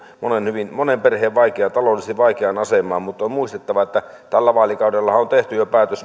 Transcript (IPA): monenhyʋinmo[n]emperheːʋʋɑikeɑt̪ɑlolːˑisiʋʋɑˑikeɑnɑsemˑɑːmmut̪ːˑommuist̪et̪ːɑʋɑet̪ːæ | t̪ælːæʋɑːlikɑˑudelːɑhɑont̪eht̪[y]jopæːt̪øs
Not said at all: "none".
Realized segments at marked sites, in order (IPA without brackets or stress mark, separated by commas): n, y